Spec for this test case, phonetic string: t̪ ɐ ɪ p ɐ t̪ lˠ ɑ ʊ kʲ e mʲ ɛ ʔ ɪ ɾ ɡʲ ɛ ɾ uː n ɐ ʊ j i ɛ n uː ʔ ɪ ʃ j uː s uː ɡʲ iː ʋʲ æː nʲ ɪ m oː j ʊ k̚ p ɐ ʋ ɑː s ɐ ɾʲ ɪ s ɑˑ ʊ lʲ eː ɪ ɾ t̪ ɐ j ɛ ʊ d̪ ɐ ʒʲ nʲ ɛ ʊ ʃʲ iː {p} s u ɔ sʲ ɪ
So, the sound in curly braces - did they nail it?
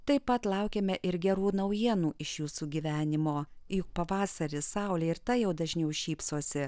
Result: yes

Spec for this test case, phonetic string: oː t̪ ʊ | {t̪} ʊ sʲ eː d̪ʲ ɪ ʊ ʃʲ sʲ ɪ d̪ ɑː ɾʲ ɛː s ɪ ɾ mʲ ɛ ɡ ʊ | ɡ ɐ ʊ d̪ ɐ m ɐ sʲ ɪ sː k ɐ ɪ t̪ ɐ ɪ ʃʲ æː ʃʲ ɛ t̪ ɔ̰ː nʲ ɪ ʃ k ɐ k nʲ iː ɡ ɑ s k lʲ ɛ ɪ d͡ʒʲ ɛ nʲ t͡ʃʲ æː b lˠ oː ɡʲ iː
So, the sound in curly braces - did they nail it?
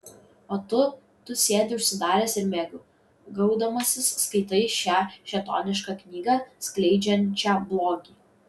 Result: yes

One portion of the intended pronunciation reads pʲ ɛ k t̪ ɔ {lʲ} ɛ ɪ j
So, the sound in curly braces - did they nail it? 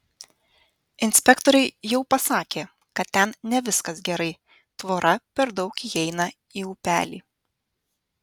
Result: no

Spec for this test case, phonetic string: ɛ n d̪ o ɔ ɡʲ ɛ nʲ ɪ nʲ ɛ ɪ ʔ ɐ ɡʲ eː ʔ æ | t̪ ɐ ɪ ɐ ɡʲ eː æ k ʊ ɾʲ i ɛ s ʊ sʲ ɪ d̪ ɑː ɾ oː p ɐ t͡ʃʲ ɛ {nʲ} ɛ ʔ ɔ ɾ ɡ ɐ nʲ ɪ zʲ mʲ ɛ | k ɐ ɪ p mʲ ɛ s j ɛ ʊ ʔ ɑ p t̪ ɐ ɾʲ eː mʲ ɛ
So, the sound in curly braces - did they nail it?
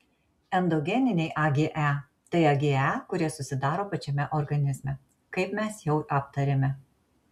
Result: no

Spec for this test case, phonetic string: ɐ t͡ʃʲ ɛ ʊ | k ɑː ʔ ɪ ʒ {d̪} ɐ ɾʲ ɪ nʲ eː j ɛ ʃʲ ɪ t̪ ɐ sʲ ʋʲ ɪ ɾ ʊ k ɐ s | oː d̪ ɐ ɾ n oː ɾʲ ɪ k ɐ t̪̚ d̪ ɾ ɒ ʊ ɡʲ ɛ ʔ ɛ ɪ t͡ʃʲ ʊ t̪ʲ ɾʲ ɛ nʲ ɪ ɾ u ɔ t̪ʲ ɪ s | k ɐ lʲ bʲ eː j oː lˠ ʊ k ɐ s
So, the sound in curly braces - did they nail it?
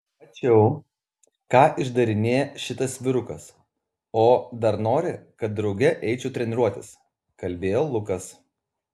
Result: yes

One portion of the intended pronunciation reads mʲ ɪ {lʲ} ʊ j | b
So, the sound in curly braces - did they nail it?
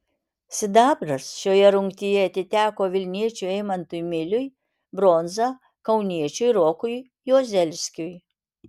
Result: yes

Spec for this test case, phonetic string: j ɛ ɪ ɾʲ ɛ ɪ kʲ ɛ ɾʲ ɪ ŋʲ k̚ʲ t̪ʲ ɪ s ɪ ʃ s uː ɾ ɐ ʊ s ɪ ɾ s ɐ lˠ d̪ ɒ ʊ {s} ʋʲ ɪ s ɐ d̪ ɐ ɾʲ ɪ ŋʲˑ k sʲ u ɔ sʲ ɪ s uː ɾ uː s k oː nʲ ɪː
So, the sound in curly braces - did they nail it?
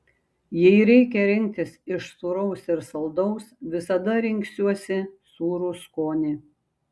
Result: yes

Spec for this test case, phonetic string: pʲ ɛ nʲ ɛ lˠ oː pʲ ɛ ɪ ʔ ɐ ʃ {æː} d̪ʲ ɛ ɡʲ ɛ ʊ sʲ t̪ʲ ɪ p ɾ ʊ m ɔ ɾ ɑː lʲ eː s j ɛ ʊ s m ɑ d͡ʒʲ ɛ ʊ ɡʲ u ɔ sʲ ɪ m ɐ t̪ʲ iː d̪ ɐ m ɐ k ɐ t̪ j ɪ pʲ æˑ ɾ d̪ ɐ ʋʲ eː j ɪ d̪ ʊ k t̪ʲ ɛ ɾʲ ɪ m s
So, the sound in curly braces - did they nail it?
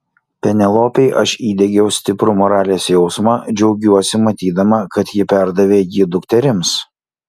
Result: no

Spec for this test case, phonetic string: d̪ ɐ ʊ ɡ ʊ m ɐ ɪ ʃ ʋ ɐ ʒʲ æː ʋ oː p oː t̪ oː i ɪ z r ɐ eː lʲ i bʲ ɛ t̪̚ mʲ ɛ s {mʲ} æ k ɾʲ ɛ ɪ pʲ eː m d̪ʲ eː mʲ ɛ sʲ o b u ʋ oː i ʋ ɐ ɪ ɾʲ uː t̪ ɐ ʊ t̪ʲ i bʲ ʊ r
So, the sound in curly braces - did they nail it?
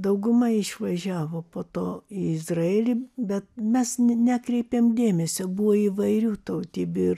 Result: no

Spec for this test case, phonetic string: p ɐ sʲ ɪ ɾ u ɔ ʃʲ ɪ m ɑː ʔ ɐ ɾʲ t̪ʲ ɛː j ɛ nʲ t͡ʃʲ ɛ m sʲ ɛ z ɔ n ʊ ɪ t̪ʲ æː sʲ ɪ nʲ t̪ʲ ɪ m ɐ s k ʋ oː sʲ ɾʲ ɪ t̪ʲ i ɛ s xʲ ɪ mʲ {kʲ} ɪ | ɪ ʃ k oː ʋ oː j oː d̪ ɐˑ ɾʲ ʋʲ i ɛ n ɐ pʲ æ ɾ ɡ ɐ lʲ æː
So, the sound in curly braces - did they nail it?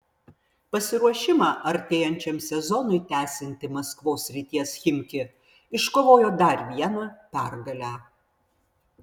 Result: yes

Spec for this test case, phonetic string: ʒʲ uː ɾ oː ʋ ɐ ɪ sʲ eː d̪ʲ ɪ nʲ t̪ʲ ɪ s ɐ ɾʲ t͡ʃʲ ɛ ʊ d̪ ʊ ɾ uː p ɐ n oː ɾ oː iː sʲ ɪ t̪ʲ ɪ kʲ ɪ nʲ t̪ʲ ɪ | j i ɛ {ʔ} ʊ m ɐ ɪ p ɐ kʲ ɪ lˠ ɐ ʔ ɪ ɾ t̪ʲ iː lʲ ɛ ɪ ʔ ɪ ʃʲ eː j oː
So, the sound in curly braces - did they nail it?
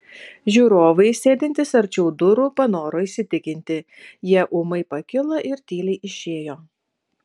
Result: yes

